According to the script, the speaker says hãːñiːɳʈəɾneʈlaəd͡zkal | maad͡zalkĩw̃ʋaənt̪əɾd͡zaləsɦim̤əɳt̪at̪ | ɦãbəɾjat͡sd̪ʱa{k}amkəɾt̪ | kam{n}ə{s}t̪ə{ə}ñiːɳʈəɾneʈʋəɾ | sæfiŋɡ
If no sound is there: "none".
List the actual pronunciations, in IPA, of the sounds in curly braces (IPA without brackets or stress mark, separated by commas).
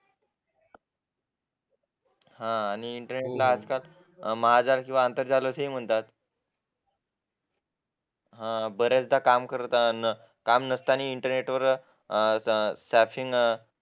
k, n, s, a